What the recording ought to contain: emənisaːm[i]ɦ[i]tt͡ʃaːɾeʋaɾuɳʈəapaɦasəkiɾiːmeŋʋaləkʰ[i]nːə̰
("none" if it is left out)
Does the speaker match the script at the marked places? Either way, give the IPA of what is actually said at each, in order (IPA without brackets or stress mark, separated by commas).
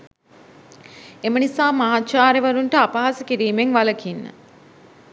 a, a, i